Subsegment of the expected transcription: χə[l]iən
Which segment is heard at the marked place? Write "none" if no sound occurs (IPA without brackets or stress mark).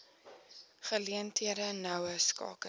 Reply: l